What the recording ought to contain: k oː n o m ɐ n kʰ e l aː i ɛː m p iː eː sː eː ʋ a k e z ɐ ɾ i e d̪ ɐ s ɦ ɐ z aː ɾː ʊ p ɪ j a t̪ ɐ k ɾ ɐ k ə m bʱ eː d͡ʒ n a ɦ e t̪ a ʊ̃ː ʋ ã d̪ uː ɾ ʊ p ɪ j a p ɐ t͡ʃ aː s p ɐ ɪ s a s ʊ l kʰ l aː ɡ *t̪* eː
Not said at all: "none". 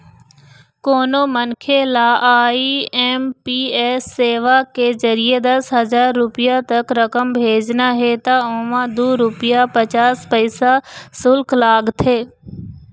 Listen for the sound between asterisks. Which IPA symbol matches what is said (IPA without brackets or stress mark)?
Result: t̪ʰ